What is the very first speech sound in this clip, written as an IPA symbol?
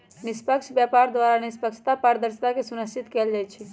n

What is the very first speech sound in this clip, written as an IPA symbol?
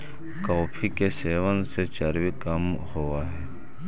k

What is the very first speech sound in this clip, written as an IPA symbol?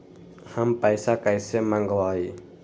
h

